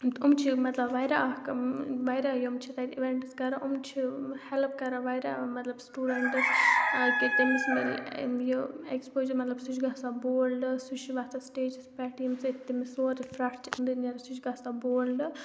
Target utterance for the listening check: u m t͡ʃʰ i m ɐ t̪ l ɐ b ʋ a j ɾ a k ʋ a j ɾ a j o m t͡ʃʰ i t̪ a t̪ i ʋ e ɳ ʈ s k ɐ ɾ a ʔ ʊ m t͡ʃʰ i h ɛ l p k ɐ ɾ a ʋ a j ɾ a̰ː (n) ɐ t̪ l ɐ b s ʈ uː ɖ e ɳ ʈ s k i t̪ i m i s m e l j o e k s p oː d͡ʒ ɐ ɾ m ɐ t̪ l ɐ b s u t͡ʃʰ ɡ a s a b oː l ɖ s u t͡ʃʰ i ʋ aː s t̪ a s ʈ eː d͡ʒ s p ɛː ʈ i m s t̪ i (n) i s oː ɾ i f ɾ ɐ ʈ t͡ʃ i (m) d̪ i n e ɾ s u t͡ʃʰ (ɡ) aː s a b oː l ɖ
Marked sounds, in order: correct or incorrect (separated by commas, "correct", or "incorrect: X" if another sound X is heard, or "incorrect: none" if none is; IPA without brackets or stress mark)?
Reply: incorrect: m, incorrect: m, incorrect: n, correct